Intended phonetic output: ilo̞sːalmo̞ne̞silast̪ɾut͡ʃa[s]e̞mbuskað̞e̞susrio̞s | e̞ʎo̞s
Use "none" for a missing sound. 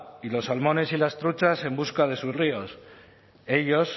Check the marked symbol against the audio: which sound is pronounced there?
s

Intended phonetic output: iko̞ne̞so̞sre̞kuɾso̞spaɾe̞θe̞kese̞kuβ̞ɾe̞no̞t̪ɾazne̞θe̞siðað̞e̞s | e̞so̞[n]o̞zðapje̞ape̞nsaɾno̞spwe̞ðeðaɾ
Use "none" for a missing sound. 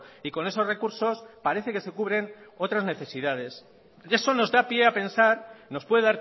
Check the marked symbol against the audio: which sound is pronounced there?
n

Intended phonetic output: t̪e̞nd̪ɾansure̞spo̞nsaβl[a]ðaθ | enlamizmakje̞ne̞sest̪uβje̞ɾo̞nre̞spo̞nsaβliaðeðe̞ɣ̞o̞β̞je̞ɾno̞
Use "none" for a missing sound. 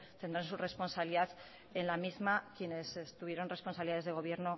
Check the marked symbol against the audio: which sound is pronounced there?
i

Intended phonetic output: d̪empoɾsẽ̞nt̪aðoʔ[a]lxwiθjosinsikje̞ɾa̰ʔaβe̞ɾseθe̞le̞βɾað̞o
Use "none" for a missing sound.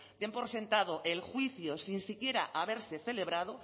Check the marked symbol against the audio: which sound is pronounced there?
e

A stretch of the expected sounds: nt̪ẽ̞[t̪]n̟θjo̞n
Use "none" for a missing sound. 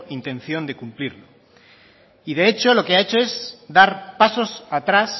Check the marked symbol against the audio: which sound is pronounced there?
none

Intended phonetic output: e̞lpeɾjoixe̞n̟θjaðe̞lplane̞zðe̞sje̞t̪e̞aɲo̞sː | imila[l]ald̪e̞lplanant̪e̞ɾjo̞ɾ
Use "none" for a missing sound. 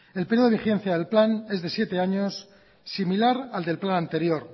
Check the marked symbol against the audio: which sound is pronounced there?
ɾ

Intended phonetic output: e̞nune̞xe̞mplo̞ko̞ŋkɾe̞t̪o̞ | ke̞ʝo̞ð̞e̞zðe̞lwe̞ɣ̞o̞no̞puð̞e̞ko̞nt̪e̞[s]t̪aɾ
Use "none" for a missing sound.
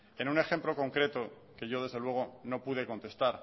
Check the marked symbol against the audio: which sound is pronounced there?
s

